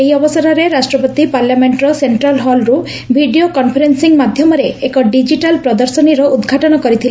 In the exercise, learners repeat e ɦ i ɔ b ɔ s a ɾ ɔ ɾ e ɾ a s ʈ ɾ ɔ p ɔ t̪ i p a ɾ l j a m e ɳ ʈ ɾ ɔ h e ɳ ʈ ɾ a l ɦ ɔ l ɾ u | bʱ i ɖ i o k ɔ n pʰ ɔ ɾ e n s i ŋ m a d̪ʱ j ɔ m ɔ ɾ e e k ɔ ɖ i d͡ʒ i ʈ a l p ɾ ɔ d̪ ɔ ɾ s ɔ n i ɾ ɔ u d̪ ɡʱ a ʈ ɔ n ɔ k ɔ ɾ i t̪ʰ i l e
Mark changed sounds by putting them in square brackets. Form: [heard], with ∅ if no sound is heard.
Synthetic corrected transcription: e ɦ i ɔ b ɔ s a ɾ ɔ ɾ e ɾ a s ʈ ɾ ɔ p ɔ t̪ i p a ɾ l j a m e ɳ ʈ ɾ ɔ [s] e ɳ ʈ ɾ a l ɦ ɔ l ɾ u | bʱ i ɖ i o k ɔ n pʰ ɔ ɾ e n s i ŋ m a d̪ʱ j ɔ m ɔ ɾ e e k ɔ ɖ i d͡ʒ i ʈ a l p ɾ ɔ d̪ ɔ ɾ s ɔ n i ɾ ɔ u d̪ ɡʱ a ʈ ɔ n ɔ k ɔ ɾ i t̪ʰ i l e